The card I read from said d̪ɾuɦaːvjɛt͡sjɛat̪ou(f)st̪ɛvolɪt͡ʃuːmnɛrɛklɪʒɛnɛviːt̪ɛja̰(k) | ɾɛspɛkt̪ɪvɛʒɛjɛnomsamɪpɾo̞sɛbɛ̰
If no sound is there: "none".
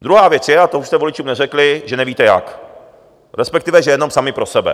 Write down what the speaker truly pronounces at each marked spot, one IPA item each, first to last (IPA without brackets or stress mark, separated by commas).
ʃ, k